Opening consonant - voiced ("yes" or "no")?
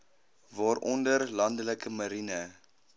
yes